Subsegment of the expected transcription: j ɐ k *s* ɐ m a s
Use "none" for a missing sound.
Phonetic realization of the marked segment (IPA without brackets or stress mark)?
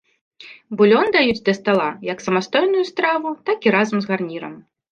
s